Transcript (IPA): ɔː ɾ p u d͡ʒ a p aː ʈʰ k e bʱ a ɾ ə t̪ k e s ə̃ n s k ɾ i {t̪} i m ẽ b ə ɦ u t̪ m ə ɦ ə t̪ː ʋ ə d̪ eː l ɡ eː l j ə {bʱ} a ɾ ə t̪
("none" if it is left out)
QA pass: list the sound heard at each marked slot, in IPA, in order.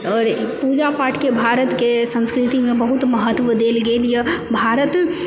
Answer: t̪, bʱ

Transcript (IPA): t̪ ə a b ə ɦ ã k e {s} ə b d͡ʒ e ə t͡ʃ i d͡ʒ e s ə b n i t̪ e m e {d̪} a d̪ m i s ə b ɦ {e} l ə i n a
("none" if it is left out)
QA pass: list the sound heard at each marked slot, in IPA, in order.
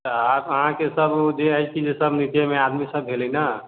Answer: s, none, e

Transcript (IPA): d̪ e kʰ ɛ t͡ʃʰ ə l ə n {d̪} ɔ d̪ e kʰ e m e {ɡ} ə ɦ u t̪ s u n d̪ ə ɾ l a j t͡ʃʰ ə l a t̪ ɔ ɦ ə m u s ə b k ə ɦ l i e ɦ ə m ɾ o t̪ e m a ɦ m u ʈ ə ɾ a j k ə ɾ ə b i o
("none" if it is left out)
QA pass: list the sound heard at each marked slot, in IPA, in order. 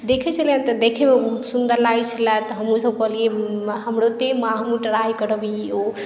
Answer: t̪, b

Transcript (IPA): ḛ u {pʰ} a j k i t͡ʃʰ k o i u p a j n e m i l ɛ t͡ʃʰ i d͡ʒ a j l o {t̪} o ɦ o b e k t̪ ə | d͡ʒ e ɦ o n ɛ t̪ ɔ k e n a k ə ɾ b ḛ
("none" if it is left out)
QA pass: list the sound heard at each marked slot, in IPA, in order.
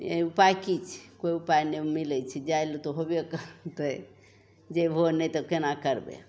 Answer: p, t̪

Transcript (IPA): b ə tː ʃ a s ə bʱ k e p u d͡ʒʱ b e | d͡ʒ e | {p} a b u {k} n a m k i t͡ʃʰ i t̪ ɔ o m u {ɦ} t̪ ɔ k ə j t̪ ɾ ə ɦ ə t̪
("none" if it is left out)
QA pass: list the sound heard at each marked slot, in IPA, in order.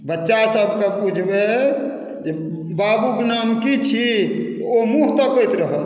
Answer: b, k, ɦ

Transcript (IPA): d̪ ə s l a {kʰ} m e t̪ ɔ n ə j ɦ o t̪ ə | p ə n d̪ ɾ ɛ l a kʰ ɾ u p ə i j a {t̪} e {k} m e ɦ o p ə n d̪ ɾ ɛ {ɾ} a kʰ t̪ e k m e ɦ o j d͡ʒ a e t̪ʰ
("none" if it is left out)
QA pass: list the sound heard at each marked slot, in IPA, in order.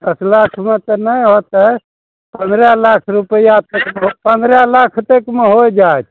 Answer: kʰ, t̪, k, l

